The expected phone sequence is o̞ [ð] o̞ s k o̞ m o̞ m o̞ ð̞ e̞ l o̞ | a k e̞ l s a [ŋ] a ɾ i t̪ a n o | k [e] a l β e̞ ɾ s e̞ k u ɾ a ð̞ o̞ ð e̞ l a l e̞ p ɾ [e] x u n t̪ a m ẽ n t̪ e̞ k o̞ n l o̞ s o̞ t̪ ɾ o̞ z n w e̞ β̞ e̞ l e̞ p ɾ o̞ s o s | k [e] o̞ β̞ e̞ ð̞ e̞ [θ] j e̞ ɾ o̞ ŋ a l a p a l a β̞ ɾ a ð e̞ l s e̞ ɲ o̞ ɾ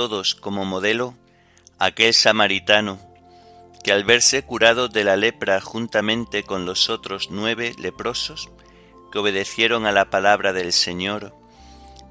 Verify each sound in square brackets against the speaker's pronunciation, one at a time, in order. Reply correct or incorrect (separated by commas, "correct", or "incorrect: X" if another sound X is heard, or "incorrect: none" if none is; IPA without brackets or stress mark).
correct, incorrect: m, correct, incorrect: a, correct, correct